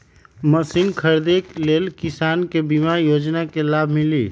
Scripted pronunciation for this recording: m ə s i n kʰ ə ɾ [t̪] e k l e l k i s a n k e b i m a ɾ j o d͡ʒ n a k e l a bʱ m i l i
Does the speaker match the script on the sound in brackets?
no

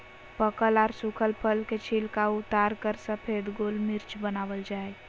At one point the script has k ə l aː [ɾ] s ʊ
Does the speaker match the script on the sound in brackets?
yes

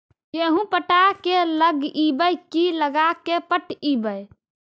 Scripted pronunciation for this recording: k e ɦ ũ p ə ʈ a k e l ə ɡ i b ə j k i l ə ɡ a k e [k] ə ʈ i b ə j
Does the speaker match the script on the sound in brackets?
no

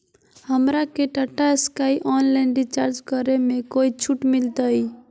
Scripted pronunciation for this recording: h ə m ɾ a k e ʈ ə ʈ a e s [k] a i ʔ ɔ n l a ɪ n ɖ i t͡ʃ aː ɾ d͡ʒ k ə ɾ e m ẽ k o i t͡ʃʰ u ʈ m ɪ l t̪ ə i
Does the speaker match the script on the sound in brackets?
yes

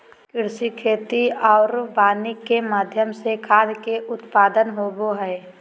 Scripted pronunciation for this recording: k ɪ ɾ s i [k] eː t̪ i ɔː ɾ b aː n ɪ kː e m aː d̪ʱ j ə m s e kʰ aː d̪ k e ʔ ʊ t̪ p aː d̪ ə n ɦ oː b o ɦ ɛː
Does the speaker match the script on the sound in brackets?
no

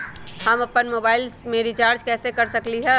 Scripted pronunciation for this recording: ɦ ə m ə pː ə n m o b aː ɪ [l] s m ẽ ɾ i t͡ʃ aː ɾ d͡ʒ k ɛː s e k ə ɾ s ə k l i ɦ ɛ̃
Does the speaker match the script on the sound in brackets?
yes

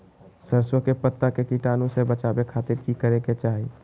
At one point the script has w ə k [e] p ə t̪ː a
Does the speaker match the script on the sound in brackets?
yes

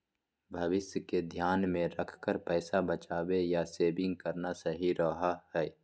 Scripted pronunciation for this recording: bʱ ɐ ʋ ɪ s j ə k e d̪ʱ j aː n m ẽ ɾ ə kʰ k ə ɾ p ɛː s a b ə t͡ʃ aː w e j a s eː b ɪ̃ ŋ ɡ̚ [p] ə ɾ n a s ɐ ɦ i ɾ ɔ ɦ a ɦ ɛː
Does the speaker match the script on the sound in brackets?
no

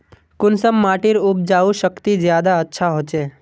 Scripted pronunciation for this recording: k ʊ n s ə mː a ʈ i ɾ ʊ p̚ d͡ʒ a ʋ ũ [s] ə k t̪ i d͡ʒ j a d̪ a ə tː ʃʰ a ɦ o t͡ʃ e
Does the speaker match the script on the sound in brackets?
no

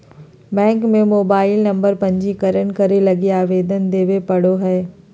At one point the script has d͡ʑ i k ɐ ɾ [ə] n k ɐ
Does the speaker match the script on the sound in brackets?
yes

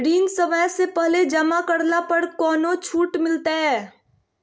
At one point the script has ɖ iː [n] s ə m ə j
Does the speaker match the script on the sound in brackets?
yes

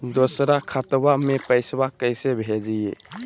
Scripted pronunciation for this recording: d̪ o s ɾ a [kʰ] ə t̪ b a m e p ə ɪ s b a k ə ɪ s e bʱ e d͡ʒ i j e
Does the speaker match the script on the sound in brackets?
yes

